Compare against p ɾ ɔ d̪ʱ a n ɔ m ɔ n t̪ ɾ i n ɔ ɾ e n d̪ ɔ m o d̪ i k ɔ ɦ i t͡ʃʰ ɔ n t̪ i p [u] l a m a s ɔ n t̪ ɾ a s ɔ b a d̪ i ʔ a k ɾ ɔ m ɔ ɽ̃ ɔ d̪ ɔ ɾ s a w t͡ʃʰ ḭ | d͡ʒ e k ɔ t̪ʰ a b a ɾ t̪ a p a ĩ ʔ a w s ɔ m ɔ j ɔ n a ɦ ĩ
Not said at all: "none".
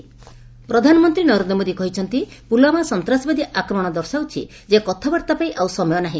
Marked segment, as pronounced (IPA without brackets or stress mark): u